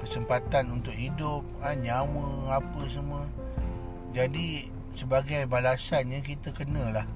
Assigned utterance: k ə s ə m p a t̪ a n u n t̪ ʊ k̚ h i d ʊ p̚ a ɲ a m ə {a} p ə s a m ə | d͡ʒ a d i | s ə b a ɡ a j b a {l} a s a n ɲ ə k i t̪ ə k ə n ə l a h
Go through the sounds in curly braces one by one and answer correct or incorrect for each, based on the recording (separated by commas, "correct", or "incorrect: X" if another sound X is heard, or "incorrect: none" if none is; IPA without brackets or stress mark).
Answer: correct, correct